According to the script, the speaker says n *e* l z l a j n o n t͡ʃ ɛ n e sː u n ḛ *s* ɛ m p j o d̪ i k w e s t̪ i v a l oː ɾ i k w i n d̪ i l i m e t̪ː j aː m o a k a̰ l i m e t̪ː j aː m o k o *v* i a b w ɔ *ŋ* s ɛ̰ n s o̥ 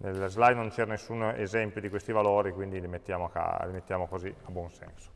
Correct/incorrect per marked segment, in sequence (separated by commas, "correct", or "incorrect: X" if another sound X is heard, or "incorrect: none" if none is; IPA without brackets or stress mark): correct, incorrect: z, incorrect: z, incorrect: n